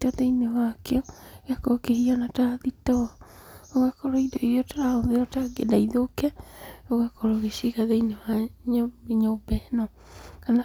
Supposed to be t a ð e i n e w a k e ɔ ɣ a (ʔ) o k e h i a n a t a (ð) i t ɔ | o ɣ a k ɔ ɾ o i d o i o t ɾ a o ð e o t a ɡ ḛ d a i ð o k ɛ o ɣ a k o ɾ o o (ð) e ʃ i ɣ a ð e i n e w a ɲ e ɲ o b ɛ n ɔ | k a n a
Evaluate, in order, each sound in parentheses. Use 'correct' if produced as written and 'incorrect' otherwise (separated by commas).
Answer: incorrect, correct, incorrect